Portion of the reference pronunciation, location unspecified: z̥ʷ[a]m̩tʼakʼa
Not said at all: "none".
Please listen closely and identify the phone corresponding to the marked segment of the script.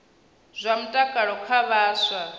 a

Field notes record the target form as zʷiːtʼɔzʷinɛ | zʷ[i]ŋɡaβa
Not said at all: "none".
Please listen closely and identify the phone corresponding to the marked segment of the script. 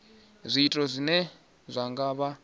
a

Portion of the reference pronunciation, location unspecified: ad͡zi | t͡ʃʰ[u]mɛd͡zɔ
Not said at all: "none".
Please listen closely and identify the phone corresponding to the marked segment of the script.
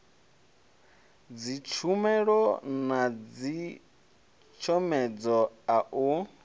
ɔ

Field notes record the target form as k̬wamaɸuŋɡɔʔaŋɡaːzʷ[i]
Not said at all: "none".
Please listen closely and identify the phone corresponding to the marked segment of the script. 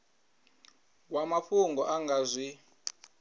i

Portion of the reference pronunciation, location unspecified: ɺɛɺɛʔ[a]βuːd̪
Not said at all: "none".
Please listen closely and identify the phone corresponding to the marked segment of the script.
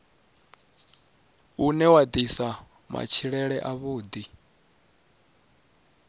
a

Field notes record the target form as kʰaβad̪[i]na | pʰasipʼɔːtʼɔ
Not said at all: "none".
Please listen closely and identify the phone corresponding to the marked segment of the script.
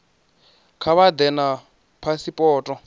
ɛ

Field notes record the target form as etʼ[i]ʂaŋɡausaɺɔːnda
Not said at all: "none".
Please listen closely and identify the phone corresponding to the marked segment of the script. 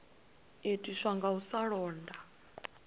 i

